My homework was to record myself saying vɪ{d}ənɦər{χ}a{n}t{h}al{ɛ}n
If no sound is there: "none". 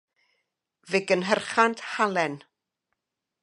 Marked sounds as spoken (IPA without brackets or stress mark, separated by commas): ɡ, χ, n, h, ɛ